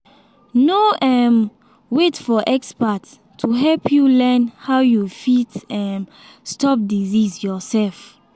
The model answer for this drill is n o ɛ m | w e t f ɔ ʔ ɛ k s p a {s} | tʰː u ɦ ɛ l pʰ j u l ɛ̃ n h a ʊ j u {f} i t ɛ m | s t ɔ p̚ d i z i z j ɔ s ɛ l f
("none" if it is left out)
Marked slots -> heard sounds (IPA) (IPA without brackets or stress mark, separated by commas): t, f